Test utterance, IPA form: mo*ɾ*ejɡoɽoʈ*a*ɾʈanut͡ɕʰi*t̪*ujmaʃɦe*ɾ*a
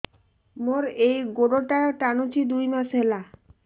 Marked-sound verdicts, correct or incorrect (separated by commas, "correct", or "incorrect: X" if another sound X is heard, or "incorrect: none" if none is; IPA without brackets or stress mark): correct, correct, incorrect: d̪, incorrect: l